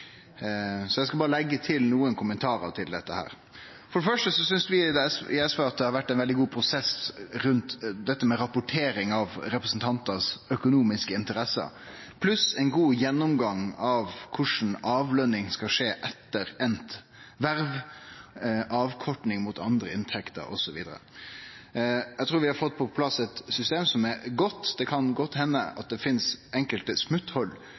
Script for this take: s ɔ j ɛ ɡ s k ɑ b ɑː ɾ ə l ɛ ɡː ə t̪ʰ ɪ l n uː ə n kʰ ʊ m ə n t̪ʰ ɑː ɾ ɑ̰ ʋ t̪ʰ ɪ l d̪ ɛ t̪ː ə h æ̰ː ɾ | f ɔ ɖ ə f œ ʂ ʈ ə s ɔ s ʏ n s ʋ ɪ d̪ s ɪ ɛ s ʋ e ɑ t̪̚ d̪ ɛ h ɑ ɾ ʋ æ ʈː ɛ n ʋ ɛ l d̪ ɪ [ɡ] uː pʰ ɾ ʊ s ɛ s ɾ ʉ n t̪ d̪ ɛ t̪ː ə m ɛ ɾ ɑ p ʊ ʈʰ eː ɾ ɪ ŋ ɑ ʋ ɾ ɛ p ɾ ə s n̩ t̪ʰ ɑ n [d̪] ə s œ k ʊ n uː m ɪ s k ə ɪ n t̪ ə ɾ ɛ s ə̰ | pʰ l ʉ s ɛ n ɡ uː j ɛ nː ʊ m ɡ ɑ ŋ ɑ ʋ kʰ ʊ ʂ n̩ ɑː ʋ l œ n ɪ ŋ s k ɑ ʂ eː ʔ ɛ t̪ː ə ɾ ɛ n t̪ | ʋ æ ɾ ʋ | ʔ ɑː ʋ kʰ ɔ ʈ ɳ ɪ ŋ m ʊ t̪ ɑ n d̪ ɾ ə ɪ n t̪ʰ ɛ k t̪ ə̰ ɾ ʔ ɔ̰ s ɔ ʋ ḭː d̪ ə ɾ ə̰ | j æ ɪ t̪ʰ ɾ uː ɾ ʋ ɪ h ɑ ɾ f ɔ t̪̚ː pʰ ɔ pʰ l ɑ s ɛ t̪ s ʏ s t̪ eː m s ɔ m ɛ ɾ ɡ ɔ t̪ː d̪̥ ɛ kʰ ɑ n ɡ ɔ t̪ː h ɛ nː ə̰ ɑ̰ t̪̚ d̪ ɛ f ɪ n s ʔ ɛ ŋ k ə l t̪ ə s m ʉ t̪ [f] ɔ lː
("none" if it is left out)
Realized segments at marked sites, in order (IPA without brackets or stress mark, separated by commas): ɡ, t̪, h